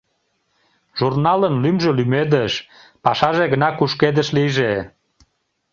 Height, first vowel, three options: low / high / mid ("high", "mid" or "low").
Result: high